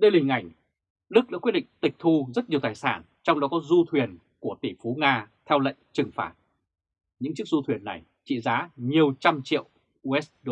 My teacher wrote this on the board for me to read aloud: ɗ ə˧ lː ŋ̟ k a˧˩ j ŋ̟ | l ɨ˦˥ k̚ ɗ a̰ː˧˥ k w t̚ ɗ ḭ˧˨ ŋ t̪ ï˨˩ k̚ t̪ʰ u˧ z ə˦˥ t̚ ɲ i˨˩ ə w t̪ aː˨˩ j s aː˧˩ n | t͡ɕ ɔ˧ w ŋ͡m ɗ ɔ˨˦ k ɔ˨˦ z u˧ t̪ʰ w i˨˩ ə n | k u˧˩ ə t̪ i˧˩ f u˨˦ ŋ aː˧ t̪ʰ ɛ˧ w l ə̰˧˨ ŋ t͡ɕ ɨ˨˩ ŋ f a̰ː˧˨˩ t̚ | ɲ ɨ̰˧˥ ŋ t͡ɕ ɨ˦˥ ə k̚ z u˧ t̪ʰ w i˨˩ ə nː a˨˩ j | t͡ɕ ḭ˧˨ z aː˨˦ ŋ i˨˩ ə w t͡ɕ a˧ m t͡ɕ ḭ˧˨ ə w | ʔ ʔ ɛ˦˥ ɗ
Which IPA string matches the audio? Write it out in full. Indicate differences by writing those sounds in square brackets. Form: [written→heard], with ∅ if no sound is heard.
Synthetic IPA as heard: ɗ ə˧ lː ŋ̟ [k→ʔ] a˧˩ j ŋ̟ | l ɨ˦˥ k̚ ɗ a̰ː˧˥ k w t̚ ɗ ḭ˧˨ ŋ t̪ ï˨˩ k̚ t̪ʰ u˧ z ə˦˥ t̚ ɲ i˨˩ ə w t̪ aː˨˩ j s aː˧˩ n | t͡ɕ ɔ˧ w ŋ͡m ɗ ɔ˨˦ k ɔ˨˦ z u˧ t̪ʰ w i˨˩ ə n | k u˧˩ ə t̪ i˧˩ f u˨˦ ŋ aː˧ t̪ʰ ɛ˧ w l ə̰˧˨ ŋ t͡ɕ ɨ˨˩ ŋ f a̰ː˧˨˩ t̚ | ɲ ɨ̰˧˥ ŋ t͡ɕ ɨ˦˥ ə k̚ z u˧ t̪ʰ w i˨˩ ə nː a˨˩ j | t͡ɕ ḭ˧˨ z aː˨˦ [ŋ→ɲ] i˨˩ ə w t͡ɕ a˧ m t͡ɕ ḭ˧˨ ə w | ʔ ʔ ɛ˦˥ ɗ